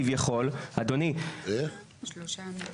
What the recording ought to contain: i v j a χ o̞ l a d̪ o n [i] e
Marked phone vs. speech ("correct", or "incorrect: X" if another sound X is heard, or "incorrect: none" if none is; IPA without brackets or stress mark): correct